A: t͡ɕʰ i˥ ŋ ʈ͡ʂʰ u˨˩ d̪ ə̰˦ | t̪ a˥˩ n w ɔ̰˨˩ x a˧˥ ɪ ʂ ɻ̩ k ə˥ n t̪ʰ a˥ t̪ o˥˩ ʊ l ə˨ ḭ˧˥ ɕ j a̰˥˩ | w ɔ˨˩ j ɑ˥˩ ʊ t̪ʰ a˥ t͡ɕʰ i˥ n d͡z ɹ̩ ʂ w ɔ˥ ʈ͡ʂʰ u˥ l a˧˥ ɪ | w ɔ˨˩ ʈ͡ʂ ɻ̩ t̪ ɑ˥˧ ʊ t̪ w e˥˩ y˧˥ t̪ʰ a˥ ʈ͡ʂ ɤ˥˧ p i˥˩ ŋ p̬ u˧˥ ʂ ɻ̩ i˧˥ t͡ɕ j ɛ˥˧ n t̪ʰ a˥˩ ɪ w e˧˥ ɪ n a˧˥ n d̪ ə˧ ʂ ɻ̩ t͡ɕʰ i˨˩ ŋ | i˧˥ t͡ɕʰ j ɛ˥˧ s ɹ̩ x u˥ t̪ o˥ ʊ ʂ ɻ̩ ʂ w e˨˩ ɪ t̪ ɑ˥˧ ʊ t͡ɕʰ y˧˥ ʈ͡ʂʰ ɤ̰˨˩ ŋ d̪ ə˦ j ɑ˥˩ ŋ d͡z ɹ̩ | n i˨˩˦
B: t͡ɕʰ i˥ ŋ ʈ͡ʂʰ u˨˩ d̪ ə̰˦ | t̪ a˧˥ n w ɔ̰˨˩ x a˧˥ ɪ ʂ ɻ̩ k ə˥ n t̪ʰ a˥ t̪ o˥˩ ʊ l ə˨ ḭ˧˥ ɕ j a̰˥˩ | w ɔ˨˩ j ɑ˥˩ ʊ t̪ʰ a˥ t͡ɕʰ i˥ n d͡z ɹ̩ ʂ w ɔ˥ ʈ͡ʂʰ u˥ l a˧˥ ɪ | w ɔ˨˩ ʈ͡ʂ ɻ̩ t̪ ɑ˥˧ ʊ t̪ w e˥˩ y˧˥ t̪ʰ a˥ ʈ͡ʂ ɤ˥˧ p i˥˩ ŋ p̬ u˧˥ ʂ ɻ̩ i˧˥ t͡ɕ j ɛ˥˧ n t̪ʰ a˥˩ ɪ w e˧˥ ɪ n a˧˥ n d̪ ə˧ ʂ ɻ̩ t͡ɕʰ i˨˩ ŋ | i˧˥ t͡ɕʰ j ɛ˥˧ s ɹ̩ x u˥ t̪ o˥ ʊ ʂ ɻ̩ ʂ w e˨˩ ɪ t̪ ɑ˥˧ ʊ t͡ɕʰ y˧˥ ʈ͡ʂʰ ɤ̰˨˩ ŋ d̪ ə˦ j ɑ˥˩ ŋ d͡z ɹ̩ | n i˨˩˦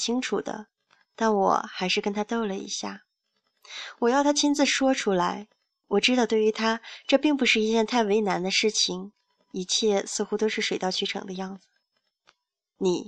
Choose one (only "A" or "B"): A